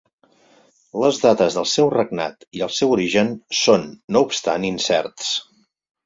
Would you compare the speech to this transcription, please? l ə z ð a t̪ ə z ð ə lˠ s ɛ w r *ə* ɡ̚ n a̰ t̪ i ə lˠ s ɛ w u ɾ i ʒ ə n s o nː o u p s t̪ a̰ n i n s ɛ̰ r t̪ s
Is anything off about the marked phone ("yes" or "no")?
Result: no